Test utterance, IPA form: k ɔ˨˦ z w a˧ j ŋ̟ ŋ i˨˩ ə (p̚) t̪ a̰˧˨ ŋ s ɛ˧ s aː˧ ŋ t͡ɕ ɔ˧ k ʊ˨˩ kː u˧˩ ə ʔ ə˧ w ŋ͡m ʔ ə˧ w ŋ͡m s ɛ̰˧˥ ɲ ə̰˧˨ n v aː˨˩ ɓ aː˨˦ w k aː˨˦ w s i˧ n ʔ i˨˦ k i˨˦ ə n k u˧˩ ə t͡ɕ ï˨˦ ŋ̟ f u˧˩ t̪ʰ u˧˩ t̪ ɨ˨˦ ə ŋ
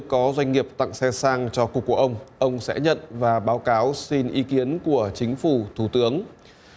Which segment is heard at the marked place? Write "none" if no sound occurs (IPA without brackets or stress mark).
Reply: p̚